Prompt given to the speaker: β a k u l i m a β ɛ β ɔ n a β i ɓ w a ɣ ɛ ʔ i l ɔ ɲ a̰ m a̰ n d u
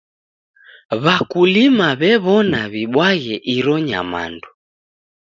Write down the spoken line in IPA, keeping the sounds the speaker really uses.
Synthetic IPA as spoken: β a k u l i m a β ɛ β ɔ n a β i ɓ w a ɣ ɛ ʔ i ɾ ɔ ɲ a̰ m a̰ n d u